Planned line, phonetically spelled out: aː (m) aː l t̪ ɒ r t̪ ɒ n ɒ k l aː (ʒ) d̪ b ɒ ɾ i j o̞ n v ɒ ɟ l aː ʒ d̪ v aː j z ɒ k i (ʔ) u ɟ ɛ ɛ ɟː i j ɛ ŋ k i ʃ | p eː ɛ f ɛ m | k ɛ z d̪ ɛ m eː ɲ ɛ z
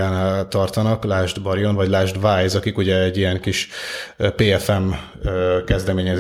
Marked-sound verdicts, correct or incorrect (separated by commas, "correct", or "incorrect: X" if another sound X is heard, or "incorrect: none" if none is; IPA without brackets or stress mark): incorrect: n, correct, incorrect: k